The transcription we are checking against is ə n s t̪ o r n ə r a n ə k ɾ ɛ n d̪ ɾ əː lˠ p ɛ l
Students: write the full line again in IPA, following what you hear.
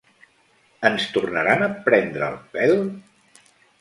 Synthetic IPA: ə n s t̪ u r n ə ɾ a n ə p ɾ ɛ n d̪ ɾ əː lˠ p ɛ l